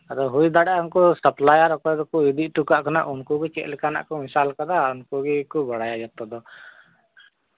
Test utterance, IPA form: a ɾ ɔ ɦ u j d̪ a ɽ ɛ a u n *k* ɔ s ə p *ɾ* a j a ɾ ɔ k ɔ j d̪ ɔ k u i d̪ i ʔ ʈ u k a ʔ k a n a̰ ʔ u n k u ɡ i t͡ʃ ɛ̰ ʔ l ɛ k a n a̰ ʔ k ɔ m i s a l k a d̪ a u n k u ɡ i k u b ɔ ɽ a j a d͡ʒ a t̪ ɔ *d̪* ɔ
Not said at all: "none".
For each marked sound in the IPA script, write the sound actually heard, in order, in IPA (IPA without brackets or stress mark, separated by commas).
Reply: k, l, d̪